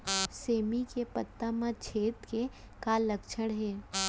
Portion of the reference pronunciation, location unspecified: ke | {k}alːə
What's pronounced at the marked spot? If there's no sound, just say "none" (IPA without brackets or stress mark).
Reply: k